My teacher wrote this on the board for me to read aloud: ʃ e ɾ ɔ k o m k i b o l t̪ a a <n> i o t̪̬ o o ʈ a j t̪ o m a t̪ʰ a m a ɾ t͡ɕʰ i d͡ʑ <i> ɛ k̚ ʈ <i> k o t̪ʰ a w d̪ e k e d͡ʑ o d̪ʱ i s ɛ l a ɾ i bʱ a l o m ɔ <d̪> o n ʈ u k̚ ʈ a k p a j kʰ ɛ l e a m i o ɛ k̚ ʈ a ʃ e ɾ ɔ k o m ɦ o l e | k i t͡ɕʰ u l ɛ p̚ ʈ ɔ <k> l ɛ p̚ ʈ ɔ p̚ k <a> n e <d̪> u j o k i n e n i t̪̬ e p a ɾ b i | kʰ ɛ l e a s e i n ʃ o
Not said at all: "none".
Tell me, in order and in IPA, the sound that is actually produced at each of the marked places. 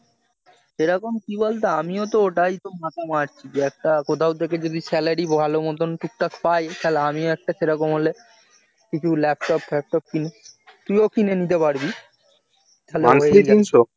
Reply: m, e, a, t̪, p, i, t̪

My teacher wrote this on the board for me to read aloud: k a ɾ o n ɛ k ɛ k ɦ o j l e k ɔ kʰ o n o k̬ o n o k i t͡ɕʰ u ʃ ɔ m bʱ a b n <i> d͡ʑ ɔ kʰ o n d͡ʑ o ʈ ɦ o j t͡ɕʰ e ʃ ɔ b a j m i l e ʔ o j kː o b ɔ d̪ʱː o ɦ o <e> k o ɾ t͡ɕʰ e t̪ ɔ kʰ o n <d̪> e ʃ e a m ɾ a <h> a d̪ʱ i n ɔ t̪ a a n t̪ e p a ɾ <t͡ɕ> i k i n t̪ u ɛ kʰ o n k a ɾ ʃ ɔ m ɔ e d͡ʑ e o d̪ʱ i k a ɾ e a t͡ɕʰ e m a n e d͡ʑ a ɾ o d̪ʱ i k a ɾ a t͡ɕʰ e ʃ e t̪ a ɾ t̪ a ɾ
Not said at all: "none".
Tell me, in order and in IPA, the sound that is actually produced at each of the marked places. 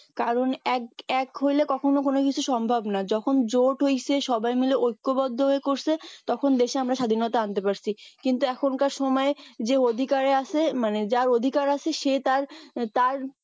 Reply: a, e, d̪, ʃ, t͡ɕʰ

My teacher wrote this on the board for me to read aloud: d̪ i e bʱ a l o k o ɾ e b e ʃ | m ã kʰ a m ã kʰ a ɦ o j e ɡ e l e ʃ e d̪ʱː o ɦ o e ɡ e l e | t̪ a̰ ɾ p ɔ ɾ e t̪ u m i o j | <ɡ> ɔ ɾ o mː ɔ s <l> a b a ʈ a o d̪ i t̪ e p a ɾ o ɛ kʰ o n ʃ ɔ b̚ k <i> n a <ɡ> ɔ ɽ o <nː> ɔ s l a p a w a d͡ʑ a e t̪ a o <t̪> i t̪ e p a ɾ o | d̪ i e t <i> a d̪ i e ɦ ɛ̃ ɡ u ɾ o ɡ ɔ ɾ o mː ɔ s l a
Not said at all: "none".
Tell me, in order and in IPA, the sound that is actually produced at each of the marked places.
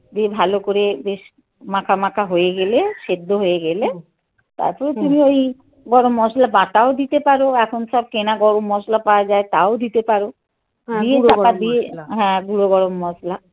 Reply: ɡ, l, e, ɡ, mː, d̪, a

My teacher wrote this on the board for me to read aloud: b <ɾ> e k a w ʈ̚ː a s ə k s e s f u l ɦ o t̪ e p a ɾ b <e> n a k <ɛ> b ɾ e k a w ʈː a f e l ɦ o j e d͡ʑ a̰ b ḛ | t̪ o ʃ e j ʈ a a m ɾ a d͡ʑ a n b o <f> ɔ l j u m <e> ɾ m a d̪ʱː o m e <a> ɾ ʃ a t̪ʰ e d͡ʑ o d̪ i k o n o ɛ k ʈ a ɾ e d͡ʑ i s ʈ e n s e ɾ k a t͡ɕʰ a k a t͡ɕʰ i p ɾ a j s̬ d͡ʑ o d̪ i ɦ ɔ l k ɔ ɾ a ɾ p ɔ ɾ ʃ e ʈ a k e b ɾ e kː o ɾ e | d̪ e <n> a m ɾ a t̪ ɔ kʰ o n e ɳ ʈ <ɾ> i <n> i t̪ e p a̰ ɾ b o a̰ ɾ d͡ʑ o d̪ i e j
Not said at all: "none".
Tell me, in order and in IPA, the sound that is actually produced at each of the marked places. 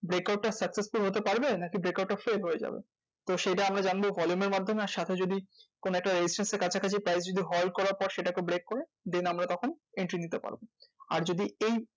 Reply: ɾ, e, i, v, e, a, n, ɾ, n

